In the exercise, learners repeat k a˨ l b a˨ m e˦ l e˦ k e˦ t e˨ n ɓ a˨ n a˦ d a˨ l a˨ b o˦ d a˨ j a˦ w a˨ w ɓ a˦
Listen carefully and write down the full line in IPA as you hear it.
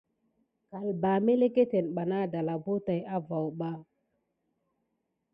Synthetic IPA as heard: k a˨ l b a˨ m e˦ l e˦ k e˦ t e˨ n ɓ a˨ n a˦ d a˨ l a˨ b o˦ t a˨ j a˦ v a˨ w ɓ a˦